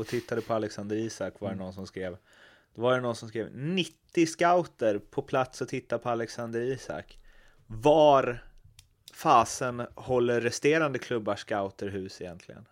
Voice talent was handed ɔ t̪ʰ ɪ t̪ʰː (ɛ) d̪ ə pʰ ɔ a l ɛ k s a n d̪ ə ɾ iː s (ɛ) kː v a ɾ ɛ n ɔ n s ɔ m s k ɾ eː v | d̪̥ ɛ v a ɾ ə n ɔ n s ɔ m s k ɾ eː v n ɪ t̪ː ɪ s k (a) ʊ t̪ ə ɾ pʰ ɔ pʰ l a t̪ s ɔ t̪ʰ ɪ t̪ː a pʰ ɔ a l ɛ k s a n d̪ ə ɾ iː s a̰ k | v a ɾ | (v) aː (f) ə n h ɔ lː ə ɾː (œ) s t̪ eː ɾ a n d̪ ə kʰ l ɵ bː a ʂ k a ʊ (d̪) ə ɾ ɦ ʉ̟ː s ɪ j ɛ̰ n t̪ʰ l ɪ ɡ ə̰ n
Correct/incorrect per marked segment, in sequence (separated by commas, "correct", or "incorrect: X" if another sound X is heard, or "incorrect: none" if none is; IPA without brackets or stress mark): incorrect: a, incorrect: a, correct, incorrect: f, incorrect: s, incorrect: ɛ, incorrect: t̪